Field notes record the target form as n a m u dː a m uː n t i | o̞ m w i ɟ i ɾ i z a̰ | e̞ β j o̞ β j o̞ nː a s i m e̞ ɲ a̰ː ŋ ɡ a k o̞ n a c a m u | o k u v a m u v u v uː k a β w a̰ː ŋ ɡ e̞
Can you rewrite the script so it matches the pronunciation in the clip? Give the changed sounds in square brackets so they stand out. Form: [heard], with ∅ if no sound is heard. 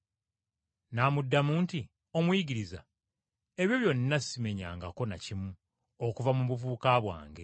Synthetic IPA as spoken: n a m u dː a m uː n t i | o̞ m w i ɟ i ɾ i z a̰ | e̞ β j o̞ β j o̞ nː a s i m e̞ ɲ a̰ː ŋ ɡ a k o̞ n a c [i] m u | o k u v a m u [β] u v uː k a β w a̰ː ŋ ɡ e̞